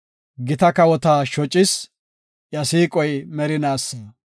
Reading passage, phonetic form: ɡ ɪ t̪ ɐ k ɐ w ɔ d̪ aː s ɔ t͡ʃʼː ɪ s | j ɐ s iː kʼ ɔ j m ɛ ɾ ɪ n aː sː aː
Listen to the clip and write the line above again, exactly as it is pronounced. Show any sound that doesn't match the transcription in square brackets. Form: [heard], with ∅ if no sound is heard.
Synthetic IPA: ɡ ɪ t̪ ɐ k ɐ w ɔ [t̪] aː [ʃ] ɔ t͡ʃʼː ɪ s | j ɐ s iː kʼ ɔ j m ɛ ɾ ɪ n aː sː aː